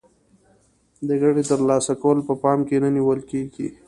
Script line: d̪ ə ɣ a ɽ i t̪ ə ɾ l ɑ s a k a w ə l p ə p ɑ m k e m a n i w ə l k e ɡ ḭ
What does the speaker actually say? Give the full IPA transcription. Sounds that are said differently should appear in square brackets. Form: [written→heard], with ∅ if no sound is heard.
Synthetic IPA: d̪ ə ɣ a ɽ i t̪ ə ɾ l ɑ s a k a w ə l p ə p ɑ m k e [m→n] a n i w ə l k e ɡ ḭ